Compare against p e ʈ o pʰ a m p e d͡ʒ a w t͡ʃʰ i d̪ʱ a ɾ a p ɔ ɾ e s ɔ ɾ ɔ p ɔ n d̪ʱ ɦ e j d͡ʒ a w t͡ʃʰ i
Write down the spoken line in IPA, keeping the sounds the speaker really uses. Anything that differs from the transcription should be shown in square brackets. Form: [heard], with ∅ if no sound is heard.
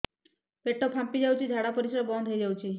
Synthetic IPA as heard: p e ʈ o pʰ a m p [i] d͡ʒ a w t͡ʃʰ i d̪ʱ a [ɽ] a p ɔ ɾ [i] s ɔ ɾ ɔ [b] ɔ n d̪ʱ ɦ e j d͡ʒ a w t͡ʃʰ i